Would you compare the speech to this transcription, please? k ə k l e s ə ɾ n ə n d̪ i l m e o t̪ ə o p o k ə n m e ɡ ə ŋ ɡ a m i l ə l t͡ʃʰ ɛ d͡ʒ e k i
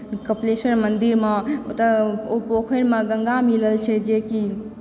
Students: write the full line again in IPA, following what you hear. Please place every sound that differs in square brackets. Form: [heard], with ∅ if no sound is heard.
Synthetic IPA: k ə [p] l e s ə ɾ [m] ə n d̪ i [ɾ] m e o t̪ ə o p o [kʰ] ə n m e ɡ ə ŋ ɡ a m i l ə l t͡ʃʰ ɛ d͡ʒ e k i

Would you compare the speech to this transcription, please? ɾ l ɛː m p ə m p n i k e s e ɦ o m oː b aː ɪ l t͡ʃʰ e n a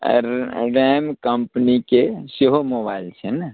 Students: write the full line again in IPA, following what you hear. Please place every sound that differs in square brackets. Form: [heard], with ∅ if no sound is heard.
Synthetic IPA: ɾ [ɾ] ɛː m [k] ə m p n i k e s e ɦ o m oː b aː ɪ l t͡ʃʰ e n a

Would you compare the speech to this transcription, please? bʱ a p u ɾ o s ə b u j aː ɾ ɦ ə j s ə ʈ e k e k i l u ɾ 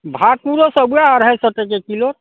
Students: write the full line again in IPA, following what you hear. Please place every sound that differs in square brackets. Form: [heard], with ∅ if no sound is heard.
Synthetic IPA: bʱ a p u ɾ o s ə b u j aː ɾ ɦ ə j s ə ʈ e k e k i l [o] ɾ

